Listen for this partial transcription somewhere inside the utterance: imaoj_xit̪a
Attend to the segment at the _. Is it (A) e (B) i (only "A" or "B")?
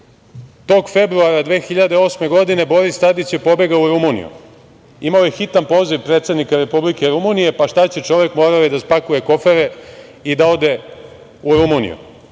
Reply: A